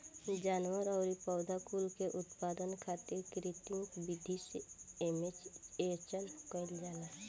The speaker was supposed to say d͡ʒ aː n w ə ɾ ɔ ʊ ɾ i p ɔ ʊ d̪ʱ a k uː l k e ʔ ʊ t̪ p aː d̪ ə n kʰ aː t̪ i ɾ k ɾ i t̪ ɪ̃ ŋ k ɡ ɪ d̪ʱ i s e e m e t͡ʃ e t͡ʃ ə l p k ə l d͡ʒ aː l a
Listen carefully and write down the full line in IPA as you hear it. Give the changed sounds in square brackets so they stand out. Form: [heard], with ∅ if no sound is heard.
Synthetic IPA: d͡ʒ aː n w ə ɾ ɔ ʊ ɾ i p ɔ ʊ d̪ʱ a k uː l k e ʔ ʊ t̪ p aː d̪ ə n kʰ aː t̪ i ɾ k ɾ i t̪ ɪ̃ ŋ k [b] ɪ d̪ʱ i s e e m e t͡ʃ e t͡ʃ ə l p k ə l d͡ʒ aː l a